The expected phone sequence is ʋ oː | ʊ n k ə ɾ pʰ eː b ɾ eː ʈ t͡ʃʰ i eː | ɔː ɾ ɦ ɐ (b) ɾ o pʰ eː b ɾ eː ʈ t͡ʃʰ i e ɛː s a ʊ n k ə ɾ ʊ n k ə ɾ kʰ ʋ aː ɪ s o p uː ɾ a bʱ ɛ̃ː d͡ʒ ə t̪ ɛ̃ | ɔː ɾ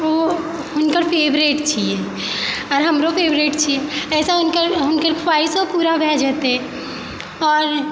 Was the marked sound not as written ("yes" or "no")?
yes